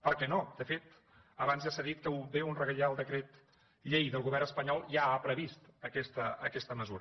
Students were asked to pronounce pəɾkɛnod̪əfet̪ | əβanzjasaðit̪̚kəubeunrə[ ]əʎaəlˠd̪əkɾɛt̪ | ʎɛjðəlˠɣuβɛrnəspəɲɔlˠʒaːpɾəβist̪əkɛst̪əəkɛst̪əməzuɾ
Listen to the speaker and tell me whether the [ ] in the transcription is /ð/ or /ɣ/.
ɣ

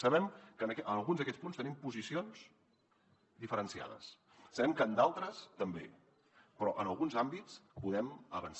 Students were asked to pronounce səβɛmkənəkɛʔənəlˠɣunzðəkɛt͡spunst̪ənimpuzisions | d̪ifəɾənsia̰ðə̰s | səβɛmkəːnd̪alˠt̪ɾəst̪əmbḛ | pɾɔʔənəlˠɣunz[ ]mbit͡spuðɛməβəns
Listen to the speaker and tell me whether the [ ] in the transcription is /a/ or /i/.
a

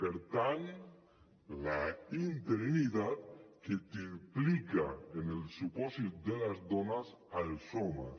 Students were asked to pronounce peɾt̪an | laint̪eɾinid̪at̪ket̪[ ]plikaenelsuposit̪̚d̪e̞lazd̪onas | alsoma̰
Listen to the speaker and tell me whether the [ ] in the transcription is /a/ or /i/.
i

